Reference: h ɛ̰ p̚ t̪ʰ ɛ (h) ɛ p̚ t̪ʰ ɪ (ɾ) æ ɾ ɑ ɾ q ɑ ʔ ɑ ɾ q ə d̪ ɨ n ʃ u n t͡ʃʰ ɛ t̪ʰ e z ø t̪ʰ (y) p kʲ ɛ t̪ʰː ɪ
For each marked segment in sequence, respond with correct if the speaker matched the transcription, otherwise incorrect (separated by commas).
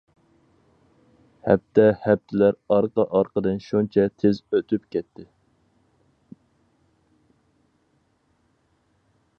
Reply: correct, incorrect, correct